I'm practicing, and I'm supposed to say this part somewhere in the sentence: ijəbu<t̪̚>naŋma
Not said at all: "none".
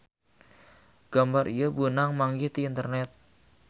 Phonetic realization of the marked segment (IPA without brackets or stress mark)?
none